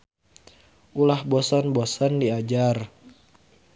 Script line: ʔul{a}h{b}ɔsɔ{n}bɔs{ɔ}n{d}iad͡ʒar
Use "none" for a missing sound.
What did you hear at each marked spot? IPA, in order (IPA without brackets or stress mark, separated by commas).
a, b, n, ɔ, d